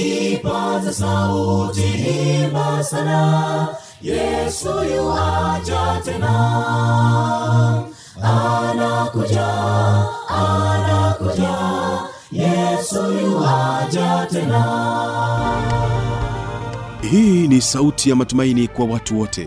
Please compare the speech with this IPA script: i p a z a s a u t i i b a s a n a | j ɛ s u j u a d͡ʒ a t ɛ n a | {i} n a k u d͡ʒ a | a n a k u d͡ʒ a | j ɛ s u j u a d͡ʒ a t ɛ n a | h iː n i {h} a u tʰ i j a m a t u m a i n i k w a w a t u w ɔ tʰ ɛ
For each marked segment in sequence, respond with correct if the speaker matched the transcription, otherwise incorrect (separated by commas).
incorrect, incorrect